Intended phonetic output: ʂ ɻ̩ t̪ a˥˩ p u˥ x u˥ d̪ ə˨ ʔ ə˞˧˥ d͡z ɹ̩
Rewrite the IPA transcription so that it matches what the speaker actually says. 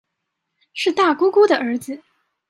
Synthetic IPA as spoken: ʂ ɻ̩ t̪ a˥˩ k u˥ k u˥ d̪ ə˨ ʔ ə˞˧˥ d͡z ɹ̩